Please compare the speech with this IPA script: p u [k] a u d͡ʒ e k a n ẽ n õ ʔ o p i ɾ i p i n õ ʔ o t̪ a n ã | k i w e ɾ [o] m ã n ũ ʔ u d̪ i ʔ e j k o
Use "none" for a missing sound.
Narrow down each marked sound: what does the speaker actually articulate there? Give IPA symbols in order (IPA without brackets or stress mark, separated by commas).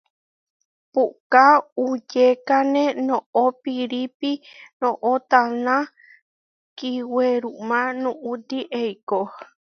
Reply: k, u